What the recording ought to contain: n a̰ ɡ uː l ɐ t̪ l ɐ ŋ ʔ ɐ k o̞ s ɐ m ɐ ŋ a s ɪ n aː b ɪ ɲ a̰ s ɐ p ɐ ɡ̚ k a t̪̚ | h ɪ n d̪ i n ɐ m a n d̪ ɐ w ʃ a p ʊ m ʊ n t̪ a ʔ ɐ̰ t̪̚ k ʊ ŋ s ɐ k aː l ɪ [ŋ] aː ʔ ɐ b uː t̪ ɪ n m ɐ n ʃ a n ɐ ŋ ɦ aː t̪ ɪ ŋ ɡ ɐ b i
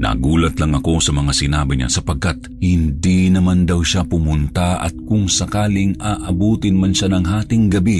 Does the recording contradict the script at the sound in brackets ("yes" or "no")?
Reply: no